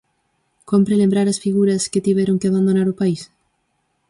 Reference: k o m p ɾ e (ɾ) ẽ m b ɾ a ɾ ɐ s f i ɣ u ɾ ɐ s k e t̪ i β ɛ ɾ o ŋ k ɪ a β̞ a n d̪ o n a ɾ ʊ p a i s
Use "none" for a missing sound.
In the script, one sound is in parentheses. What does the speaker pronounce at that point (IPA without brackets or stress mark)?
l